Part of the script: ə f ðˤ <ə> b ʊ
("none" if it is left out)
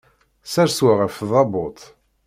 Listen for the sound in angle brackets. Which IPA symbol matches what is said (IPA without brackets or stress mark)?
ɑ